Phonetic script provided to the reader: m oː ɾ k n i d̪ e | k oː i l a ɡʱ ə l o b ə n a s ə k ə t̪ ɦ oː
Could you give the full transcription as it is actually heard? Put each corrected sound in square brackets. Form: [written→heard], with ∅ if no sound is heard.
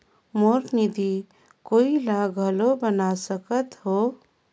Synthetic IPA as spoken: m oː ɾ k n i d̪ [e→i] | k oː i l a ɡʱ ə l o b ə n a s ə k ə t̪ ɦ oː